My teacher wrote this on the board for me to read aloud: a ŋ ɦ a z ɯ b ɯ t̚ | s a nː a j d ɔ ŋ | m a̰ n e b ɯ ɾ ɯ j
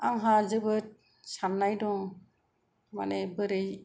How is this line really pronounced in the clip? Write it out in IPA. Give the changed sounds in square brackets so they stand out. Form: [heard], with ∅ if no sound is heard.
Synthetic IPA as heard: a ŋ ɦ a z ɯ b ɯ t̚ | s a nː a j d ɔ ŋ | m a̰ n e b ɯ ɾ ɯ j